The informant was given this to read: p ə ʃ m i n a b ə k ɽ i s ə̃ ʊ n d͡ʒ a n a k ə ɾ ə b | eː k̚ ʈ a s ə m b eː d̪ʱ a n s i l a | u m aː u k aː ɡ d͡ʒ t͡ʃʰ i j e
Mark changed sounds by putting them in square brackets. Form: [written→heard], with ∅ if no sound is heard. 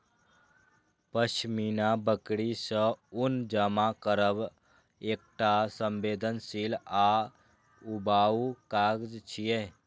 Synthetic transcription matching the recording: p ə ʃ m i n a b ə k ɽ i s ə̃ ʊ n d͡ʒ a [n→m] a k ə ɾ ə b | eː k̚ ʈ a s ə m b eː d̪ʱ [a→ə] n s i l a | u [m→b] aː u k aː ɡ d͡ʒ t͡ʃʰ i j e